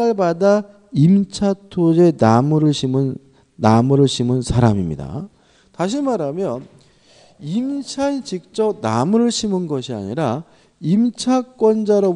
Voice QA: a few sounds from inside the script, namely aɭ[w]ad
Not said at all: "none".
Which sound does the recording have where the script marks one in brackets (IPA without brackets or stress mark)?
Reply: b